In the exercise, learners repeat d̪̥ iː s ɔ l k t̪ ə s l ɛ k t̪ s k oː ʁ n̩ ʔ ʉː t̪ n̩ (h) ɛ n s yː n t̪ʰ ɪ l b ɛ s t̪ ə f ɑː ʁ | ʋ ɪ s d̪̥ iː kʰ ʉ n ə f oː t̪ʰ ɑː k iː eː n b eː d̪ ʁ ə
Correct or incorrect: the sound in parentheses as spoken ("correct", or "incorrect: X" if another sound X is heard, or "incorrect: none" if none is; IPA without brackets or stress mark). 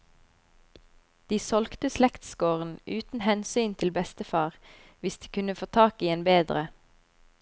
correct